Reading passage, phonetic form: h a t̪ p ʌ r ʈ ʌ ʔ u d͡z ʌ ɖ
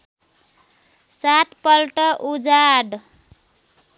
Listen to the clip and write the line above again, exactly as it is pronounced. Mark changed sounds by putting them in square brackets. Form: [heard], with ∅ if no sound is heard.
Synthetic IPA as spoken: [s] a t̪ p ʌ [l] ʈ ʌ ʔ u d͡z [a] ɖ